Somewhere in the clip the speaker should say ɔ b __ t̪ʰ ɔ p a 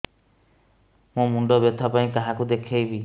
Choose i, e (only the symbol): e